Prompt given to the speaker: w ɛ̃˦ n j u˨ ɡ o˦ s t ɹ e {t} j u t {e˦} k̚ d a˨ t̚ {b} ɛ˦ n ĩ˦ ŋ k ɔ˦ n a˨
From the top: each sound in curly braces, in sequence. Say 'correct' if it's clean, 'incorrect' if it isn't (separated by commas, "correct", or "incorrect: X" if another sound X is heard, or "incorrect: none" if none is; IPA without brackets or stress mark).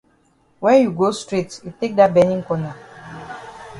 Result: correct, correct, correct